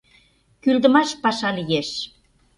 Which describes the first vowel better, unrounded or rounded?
rounded